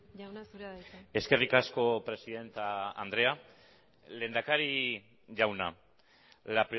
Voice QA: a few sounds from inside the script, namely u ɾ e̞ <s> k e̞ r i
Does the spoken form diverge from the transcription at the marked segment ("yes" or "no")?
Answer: no